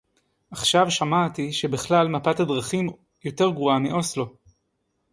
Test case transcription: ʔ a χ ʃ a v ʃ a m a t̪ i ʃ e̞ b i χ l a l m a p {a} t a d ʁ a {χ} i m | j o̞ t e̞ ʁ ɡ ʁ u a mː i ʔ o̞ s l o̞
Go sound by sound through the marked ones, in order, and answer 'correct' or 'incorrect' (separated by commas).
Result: correct, correct